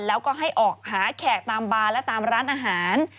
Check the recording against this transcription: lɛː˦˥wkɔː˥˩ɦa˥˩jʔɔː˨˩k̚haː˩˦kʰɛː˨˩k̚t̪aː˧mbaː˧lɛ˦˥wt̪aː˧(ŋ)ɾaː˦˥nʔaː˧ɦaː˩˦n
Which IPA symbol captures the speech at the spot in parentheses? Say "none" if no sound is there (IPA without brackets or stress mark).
m